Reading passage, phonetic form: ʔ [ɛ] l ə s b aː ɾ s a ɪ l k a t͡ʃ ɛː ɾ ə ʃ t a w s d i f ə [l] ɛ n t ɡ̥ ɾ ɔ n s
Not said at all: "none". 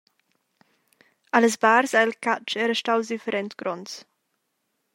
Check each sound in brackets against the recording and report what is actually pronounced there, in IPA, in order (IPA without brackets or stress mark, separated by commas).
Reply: a, ɾ